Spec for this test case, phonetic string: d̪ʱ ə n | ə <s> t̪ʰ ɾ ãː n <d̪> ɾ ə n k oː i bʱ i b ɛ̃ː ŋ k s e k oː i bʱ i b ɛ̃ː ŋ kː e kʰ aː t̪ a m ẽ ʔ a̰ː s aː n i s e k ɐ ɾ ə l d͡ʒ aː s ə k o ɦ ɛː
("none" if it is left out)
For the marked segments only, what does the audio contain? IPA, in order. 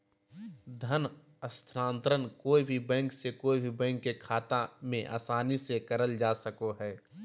s, t̪

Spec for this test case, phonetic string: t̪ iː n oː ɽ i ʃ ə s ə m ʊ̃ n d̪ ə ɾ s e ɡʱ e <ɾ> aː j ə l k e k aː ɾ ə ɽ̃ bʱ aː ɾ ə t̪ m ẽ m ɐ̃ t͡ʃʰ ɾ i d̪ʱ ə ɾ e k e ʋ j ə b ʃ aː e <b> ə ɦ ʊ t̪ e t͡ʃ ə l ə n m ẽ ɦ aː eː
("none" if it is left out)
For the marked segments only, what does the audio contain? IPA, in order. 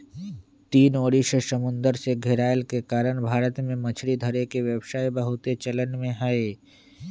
ɾ, b

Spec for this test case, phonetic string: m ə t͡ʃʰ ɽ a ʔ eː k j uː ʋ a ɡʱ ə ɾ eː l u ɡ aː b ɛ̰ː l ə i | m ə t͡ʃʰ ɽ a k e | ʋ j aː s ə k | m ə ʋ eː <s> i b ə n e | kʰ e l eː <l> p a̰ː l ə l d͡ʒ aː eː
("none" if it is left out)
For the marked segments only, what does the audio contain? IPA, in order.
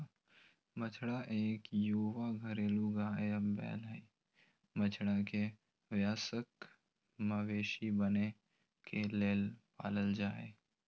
ʃ, l

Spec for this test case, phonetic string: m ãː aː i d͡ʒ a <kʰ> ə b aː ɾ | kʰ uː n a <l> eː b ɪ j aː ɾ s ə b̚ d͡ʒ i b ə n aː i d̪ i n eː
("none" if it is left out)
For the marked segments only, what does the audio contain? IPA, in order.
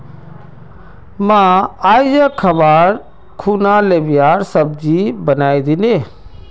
kʰ, l

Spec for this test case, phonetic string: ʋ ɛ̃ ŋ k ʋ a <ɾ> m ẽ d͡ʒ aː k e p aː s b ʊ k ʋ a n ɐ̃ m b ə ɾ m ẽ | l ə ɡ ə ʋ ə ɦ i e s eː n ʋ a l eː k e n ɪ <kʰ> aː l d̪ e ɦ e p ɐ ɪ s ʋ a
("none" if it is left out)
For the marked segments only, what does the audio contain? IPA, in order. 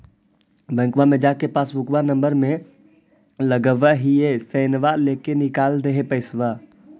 none, k

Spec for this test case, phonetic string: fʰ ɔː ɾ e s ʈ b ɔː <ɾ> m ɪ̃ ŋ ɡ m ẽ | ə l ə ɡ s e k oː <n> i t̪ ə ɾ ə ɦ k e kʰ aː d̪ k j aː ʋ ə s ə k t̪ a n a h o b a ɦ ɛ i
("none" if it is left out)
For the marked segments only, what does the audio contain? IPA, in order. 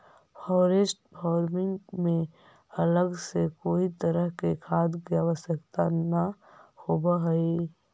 ɾ, none

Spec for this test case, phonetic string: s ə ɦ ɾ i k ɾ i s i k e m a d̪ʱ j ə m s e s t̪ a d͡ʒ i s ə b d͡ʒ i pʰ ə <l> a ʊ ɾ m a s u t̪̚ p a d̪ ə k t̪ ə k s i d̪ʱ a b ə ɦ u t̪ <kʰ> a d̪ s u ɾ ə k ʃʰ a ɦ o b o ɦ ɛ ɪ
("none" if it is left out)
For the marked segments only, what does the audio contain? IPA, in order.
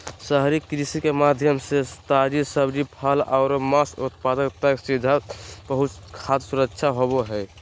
l, kʰ

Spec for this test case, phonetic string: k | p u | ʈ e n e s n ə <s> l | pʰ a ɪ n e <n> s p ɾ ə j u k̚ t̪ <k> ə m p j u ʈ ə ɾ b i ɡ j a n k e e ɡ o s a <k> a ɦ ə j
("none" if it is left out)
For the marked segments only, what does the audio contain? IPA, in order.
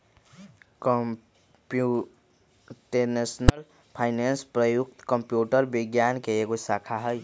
none, n, k, kʰ

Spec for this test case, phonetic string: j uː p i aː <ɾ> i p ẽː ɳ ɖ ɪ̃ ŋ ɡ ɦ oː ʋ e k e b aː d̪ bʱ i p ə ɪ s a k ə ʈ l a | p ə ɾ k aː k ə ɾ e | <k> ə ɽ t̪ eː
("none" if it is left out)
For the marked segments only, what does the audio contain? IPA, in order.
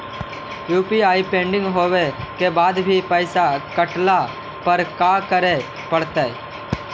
none, p

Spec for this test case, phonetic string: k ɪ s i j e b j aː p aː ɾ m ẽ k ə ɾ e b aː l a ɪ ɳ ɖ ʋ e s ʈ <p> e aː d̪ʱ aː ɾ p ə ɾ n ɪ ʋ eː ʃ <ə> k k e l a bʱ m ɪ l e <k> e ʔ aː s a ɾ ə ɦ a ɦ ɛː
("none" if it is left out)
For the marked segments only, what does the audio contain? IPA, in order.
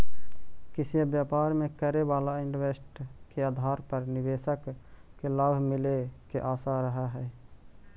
k, ə, k

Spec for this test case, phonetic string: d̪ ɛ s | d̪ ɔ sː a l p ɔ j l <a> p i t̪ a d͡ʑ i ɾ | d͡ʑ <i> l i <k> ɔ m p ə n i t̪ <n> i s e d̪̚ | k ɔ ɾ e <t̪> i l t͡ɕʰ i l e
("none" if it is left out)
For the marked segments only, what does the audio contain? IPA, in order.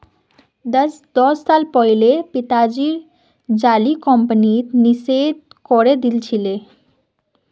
e, a, k, n, d̪

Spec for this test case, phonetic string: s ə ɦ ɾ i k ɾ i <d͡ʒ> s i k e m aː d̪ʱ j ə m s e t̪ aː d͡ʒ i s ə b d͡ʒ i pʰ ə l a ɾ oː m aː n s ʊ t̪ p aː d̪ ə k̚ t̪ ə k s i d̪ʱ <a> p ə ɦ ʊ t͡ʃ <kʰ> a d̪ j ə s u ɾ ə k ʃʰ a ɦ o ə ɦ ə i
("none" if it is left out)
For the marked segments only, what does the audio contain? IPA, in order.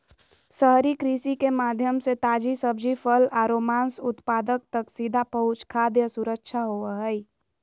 none, a, kʰ

